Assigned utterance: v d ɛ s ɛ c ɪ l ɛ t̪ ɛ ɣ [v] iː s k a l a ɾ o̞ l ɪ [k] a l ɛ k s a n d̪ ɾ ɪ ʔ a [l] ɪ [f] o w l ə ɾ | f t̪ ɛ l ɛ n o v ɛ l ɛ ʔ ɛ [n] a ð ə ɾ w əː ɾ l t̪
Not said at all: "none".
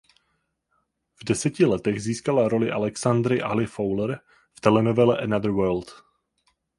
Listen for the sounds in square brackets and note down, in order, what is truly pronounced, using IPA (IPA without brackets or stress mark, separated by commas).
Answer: z, ʔ, l, f, n